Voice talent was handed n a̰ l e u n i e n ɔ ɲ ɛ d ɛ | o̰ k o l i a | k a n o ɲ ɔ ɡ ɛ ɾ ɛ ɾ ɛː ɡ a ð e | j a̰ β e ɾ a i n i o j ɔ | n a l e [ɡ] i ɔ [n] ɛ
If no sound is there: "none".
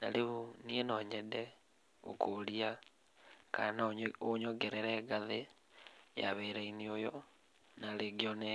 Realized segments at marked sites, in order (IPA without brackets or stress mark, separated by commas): ɡ, n